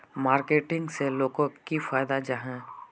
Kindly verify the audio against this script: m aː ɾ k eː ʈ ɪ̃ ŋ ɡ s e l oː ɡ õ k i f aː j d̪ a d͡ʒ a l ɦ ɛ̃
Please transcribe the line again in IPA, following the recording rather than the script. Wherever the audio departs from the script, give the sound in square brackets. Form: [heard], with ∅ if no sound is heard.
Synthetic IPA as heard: m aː ɾ k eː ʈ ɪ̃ ŋ ɡ s e l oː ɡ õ k i f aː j d̪ a d͡ʒ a [∅] ɦ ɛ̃